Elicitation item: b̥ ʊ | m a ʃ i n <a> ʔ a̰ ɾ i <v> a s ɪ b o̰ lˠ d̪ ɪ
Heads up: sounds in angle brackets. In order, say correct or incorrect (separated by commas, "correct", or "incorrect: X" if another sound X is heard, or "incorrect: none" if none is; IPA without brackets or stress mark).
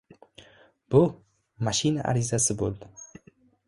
correct, incorrect: z